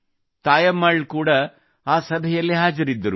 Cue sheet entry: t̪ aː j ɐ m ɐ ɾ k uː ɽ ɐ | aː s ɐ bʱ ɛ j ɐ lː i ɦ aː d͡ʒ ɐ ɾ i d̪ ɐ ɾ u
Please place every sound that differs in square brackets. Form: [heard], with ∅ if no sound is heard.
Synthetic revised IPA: t̪ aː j ɐ m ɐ [ɭ] k uː ɽ ɐ | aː s ɐ bʱ ɛ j ɐ lː i ɦ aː d͡ʒ ɐ ɾ i [d̪ː] ɐ ɾ u